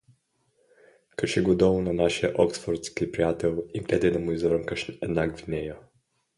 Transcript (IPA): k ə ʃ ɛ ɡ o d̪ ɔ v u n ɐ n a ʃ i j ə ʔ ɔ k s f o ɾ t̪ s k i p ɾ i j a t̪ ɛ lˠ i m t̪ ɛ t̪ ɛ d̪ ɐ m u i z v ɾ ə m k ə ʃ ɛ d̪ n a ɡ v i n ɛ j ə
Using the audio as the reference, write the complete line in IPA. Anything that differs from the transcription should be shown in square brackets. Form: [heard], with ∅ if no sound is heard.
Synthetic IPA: k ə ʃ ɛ ɡ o d̪ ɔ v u n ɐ n a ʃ i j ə ʔ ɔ k s f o ɾ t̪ s k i p ɾ i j a t̪ ɛ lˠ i m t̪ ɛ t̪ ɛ d̪ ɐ m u i z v ɾ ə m k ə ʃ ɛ d̪ n a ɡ v i n ɛ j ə